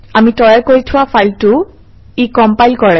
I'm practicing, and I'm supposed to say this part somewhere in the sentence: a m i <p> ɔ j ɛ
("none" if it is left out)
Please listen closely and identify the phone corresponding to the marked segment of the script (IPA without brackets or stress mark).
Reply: t